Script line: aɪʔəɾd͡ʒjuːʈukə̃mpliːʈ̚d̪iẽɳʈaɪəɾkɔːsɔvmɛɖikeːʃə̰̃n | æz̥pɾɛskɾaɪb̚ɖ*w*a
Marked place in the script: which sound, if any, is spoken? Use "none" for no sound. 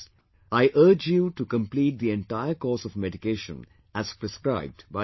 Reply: b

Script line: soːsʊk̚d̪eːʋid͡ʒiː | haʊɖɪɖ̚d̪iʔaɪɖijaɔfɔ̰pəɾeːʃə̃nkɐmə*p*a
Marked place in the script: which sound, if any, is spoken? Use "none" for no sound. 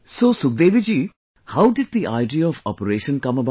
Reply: b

